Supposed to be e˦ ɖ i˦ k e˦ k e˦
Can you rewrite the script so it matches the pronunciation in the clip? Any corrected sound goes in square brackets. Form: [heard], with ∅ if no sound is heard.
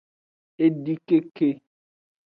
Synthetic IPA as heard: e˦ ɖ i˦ k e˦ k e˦